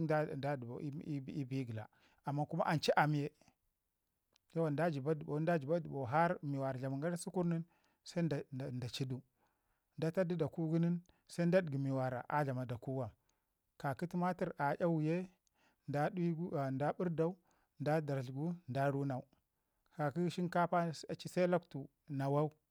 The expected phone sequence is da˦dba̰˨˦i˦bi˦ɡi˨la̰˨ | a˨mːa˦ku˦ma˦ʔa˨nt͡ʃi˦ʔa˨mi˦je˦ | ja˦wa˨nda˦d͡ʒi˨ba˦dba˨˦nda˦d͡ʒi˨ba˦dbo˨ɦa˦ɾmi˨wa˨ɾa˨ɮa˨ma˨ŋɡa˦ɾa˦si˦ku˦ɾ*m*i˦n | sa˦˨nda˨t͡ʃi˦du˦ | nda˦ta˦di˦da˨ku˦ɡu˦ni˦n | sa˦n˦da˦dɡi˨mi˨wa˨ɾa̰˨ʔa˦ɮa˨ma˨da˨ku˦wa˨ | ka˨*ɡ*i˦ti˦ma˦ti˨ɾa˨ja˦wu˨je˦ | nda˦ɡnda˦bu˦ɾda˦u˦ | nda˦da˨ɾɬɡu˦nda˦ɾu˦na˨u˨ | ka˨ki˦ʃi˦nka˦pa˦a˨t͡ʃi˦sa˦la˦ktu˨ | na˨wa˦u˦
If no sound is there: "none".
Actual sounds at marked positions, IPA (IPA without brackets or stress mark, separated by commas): n, k